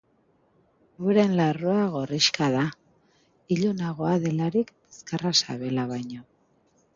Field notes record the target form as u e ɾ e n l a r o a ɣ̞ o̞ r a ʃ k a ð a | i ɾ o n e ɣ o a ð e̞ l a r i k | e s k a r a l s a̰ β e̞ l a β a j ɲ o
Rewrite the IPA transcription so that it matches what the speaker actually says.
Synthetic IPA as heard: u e ɾ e n l a r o a ɣ̞ o̞ r i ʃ k a ð a | i ʎ o n a ɣ o a ð e̞ l a ɾ i k | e s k a r a s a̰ β e̞ l a β a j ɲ o

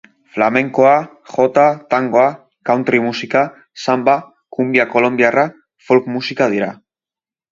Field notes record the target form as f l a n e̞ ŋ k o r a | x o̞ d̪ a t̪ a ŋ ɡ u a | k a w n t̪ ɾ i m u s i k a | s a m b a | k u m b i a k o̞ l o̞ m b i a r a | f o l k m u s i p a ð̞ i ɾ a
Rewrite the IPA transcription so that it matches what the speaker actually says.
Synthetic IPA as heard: f l a m e̞ ŋ k o a | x o̞ t̪ a t̪ a ŋ ɡ o a | k a w n t̪ ɾ i m u s i k a | s a m b a | k u m b i a k o̞ l o̞ m b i a r a | f o l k m u s i k a ð̞ i ɾ a

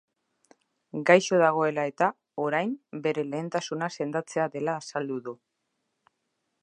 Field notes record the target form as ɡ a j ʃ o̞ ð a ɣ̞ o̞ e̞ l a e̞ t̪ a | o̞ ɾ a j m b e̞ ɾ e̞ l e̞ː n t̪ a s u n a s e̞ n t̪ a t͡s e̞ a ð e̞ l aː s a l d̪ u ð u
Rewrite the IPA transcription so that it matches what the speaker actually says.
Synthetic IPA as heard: ɡ a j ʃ o̞ ð a ɣ̞ o̞ e̞ l a e̞ t̪ a | o̞ ɾ a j m b e̞ ɾ e̞ l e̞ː n t̪ a s u n a s e̞ n d̪ a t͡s e̞ a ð e̞ l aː s a l d̪ u ð u

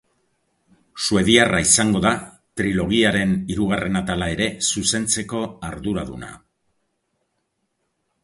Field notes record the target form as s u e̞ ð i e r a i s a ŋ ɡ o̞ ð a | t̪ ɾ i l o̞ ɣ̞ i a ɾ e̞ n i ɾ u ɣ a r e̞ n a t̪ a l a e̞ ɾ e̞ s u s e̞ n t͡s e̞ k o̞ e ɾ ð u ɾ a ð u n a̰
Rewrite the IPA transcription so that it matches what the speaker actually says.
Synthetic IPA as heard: s u e̞ ð i a r a i s a ŋ ɡ o̞ ð a | t̪ ɾ i l o̞ ɣ̞ i a ɾ e̞ n i ɾ u ɣ a r e̞ n a t̪ a l a e̞ ɾ e̞ s u s e̞ n t͡s e̞ k o̞ a ɾ ð u ɾ a ð u n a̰

